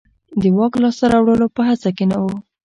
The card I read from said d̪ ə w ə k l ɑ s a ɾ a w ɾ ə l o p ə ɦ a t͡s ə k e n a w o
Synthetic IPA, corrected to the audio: d̪ ə w ɑ k l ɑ s a ɾ a w ɽ ə l o p ə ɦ a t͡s a k e n a w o